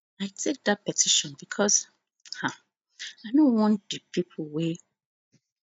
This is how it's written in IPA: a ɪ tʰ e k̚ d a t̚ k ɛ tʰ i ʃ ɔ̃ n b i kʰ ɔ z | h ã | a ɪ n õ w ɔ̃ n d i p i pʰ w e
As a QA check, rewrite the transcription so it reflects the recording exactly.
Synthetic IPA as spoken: a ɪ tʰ e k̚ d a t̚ p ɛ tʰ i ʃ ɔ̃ n b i kʰ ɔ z | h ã | a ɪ n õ w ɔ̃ n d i p i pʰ w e

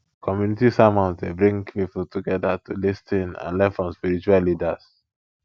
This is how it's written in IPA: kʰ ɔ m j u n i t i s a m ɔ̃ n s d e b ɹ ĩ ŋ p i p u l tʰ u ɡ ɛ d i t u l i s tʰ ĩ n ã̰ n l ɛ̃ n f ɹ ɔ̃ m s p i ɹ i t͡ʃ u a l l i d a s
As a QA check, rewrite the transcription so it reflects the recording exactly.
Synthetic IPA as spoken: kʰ ɔ m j u n i t i s a m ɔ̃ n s d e b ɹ ĩ ŋ p i p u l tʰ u ɡ ɛ d a t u l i s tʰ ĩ n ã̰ n l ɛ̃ n f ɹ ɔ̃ m s p i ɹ i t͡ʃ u a l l i d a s

